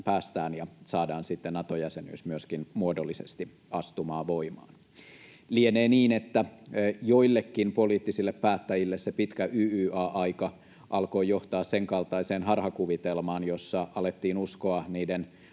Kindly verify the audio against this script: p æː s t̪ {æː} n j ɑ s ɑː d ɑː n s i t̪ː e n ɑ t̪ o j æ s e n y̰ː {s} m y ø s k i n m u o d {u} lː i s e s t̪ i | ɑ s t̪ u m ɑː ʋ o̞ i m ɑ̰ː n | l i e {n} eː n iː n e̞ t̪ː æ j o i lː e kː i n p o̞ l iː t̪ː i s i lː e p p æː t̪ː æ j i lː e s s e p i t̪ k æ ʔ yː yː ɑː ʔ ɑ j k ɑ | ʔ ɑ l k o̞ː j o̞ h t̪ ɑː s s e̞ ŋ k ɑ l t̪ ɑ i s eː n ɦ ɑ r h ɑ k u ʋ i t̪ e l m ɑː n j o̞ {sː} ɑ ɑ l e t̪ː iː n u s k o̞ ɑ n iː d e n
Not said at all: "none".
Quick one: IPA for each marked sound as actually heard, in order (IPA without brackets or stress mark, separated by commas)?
æː, s, o, n, sː